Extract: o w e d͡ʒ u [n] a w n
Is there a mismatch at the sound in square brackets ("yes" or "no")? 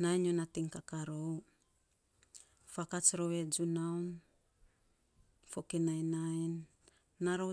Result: no